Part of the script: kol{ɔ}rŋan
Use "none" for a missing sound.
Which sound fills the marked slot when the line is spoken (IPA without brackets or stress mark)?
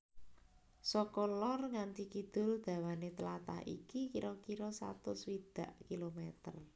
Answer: ɔ